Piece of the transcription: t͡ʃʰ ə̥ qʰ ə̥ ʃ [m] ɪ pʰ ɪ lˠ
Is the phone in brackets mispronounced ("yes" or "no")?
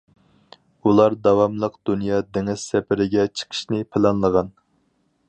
yes